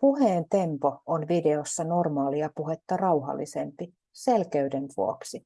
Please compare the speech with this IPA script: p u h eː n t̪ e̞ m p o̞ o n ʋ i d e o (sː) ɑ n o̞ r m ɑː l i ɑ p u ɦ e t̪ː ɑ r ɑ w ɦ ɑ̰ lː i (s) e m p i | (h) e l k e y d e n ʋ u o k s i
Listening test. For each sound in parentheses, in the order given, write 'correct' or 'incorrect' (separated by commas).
correct, correct, incorrect